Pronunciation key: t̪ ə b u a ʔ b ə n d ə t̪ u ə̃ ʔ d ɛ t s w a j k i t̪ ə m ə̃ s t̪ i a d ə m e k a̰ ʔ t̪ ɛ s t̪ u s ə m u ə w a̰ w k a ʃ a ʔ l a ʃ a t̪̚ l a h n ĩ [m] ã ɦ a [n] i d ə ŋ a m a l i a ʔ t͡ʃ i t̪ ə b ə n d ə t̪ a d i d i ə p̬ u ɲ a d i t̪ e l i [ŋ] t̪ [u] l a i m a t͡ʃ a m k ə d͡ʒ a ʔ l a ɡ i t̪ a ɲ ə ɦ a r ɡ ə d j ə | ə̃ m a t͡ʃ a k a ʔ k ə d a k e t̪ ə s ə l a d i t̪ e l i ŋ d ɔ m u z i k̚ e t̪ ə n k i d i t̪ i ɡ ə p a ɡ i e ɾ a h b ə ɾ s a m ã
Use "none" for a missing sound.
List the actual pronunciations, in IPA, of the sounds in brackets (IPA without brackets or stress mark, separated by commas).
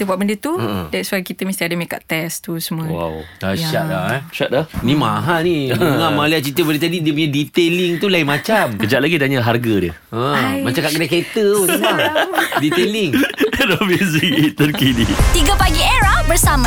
m, n, ŋ, u